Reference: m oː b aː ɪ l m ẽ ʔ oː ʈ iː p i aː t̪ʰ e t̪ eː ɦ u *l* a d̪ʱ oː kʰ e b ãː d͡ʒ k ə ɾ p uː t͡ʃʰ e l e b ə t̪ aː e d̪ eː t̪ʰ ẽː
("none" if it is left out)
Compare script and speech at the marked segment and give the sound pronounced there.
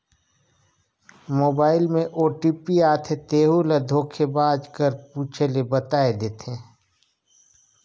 l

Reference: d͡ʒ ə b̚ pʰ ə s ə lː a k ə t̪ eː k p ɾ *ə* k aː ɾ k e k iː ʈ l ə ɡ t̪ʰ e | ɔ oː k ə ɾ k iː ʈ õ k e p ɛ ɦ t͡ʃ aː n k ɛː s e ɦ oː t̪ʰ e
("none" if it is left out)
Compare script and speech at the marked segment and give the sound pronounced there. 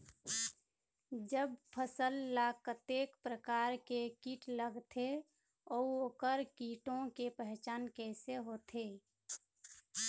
ə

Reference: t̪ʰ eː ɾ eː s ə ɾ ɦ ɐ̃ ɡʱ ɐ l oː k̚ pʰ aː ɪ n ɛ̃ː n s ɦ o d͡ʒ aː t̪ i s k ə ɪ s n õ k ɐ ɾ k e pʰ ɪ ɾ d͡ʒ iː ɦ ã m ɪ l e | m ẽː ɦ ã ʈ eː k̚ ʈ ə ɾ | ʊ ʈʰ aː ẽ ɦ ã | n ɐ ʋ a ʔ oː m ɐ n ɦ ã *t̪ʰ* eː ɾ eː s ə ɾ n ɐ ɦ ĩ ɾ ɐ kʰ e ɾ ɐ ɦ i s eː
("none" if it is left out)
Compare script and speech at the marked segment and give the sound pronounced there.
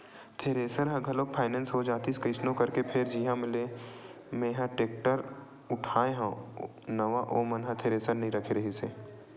t̪ʰ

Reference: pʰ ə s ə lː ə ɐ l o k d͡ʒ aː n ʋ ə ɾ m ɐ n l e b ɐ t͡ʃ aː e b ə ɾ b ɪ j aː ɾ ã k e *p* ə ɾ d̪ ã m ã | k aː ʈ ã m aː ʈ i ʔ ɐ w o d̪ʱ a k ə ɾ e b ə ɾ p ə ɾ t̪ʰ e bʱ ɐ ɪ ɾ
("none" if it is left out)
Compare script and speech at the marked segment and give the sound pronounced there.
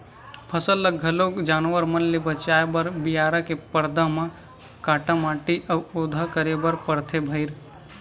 p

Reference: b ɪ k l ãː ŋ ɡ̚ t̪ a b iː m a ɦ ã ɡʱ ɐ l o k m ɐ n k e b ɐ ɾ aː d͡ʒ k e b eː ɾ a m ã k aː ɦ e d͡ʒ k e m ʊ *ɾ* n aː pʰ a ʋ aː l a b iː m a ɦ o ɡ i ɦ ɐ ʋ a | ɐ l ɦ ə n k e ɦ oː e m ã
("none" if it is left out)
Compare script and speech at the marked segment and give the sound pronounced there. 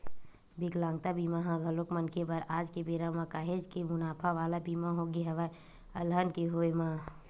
none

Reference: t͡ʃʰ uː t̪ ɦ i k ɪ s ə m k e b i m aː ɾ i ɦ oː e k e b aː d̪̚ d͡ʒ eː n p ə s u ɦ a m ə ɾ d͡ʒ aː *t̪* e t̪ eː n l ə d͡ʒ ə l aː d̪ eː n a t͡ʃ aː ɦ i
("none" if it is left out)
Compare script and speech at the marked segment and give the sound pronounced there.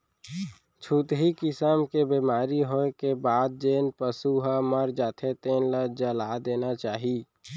t̪ʰ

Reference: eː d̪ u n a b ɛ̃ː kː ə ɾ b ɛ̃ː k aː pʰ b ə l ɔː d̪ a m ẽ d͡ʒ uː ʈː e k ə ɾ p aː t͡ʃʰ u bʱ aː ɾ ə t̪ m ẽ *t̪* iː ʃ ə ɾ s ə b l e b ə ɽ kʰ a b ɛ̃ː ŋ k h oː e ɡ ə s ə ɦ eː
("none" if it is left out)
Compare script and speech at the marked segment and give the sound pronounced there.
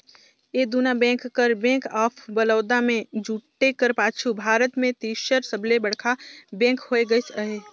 t̪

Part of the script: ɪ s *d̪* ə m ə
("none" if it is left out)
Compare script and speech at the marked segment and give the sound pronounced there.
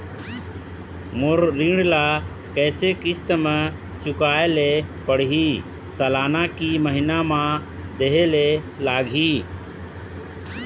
t̪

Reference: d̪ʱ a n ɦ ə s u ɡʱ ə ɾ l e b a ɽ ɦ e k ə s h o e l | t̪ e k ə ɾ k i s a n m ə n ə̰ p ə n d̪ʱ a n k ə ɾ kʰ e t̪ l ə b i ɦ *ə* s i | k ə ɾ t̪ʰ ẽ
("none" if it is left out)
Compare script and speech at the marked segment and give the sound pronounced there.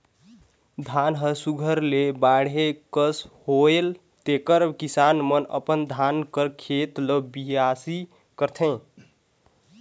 a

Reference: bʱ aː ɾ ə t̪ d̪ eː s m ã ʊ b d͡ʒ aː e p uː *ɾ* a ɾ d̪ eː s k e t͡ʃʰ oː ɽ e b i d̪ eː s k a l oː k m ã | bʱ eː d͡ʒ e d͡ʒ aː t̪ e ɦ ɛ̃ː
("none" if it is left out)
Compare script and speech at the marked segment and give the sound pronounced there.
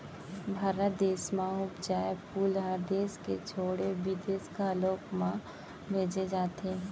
l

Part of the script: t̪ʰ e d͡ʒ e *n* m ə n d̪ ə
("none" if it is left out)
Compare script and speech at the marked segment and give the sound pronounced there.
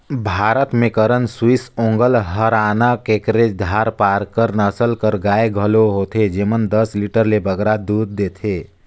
none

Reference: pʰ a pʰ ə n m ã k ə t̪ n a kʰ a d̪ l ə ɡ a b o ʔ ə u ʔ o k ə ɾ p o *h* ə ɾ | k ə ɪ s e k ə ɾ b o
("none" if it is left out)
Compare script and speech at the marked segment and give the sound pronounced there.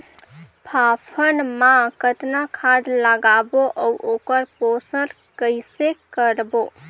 s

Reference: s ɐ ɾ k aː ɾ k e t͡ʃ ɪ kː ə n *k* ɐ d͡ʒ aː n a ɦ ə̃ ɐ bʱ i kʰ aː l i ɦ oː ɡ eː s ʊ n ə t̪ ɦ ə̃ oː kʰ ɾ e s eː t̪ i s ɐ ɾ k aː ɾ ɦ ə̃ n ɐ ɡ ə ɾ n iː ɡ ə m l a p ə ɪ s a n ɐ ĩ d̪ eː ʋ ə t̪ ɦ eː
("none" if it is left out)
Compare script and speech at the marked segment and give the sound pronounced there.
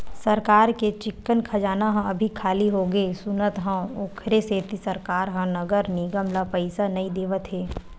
kʰ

